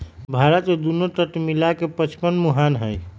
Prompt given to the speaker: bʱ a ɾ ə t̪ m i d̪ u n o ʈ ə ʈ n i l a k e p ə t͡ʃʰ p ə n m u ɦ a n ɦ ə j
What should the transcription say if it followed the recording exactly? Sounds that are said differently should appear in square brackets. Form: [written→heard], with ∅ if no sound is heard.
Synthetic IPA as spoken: bʱ a ɾ ə t̪ m [i→e] d̪ u n o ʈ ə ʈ [n→m] i l a k e p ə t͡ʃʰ p ə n m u ɦ a n ɦ ə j